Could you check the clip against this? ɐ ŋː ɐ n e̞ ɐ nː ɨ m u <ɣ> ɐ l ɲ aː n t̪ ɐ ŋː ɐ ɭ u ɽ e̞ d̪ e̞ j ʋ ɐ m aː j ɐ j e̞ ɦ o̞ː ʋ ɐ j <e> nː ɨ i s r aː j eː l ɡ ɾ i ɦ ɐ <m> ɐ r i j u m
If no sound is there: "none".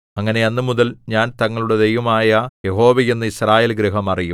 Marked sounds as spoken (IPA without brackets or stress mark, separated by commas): ð, e, m